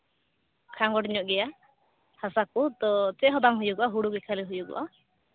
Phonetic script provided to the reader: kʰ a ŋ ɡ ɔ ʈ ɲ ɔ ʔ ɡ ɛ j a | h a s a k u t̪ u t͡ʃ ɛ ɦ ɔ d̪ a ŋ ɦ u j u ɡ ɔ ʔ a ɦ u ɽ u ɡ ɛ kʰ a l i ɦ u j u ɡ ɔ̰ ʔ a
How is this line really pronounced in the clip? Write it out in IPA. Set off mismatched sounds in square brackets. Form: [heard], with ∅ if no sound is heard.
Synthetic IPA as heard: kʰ a ŋ ɡ ɔ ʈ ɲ ɔ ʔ ɡ ɛ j a | h a s a k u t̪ [ɔ] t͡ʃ ɛ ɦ ɔ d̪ a ŋ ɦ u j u ɡ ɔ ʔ a ɦ u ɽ u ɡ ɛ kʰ a l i ɦ u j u ɡ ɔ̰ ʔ a